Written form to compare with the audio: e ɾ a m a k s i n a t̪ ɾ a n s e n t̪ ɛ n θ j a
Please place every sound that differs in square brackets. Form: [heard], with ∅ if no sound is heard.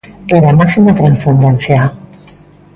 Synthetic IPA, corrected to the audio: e ɾ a m a k s i [m] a t̪ ɾ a n s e n [d̪] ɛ n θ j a